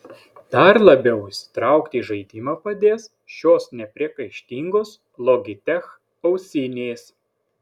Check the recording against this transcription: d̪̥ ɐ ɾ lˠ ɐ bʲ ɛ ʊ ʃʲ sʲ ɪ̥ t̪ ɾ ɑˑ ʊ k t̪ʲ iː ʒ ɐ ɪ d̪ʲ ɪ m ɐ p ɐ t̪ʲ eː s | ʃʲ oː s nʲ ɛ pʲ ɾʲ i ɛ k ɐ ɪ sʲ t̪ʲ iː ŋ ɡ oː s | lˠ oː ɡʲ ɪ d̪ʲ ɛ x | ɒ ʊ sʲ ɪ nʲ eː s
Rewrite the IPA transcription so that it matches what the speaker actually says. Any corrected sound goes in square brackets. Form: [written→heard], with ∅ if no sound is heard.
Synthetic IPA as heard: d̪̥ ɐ ɾ lˠ ɐ bʲ ɛ ʊ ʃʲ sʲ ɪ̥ t̪ ɾ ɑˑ ʊ k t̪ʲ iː ʒ ɐ ɪ d̪ʲ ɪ m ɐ p ɐ [t̪ʲ→d̪ʲ] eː s | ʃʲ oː s nʲ ɛ pʲ ɾʲ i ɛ k ɐ ɪ [sʲ→ʃʲ] t̪ʲ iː ŋ ɡ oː s | lˠ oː ɡʲ ɪ [d̪ʲ→t̪ʲ] ɛ x | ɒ ʊ sʲ ɪ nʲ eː s